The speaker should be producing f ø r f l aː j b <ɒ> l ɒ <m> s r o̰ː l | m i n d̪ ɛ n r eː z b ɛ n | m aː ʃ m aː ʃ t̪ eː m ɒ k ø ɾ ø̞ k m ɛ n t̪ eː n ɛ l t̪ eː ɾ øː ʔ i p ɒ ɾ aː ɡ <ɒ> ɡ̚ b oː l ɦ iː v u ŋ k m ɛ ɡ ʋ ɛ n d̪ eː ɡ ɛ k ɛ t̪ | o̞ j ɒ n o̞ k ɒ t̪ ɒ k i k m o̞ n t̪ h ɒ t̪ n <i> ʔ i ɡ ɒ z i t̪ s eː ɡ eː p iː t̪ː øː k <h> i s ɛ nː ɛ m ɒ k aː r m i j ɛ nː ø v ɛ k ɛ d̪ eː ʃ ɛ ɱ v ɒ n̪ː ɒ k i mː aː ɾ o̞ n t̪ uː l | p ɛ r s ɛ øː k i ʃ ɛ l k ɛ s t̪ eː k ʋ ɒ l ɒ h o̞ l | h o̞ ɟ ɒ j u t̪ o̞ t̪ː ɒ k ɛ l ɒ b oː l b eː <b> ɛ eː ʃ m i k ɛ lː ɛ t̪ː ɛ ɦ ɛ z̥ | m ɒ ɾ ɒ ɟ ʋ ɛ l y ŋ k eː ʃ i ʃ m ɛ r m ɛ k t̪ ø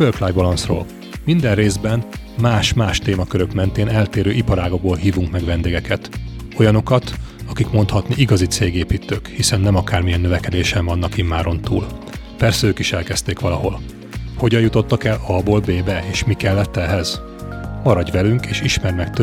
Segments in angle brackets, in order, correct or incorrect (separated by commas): correct, incorrect, incorrect, correct, correct, correct